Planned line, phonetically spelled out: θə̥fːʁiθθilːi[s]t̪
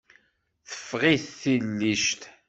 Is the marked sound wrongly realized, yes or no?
yes